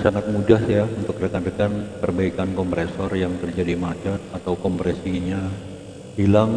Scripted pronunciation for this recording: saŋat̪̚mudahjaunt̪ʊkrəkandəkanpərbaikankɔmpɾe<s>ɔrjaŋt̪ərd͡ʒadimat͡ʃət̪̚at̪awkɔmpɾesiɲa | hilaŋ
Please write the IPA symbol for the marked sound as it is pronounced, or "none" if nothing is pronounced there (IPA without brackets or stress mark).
s